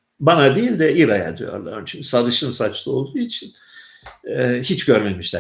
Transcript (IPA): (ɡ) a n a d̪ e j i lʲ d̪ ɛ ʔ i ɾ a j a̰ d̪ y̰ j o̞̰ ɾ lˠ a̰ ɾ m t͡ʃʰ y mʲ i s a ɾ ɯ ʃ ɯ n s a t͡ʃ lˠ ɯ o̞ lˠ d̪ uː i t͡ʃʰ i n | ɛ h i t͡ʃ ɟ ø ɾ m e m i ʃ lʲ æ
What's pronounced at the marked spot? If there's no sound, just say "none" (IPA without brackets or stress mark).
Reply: b